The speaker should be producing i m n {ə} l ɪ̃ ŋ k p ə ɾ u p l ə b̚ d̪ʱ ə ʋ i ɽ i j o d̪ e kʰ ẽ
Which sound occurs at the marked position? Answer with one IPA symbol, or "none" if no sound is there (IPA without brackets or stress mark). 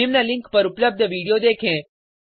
a